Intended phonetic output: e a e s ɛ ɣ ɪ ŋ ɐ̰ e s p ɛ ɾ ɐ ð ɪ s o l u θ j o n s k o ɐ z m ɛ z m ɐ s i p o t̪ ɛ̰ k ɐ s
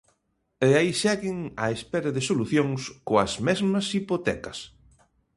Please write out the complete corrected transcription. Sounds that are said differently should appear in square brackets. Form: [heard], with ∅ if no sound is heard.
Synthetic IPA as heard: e a [i] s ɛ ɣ ɪ ŋ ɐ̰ e s p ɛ ɾ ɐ ð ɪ s o l u θ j o [ŋ] s k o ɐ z m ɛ z m ɐ s i p o t̪ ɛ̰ k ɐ s